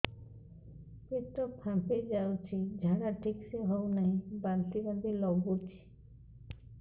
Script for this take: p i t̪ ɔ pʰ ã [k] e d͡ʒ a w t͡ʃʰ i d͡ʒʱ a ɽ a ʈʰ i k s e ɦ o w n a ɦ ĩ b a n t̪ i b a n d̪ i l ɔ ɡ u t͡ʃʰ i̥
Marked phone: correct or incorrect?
incorrect